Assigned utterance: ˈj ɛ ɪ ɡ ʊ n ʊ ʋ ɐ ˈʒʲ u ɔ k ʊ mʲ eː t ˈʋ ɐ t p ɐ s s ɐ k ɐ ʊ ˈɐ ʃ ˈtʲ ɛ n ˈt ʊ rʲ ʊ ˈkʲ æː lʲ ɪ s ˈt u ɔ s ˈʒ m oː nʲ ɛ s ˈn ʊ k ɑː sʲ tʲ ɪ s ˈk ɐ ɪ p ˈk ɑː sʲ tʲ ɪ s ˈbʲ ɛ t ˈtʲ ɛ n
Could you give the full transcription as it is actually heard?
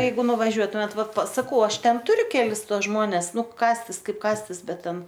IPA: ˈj ɛ ɪ ɡ ʊ n ʊ ʋ ɐ ˈʒʲ u ɔ t ʊ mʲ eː t ˈʋ ɐ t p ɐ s s ɐ k ɐ ʊ ˈɐ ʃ ˈtʲ ɛ n ˈt ʊ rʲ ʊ ˈkʲ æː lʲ ɪ s ˈt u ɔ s ˈʒ m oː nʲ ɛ s ˈn ʊ k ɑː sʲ tʲ ɪ s ˈk ɐ ɪ p ˈk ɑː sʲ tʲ ɪ s ˈbʲ ɛ t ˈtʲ ɛ n